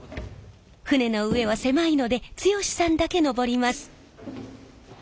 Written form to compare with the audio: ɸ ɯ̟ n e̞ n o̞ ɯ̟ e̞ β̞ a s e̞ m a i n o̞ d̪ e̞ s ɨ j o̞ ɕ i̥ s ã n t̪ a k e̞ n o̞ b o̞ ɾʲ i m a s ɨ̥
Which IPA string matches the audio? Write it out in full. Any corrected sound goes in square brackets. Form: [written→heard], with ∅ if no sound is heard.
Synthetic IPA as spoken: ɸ ɯ̟ n e̞ n o̞ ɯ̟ e̞ β̞ a s e̞ m a i n o̞ d̪ e̞ [s→t͡s] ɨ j o̞ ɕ i̥ s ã n [t̪→d̪] a k e̞ n o̞ b o̞ ɾʲ i m a s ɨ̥